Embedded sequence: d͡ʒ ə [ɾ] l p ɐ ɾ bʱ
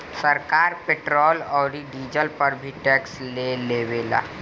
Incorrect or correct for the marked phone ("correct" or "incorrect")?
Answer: incorrect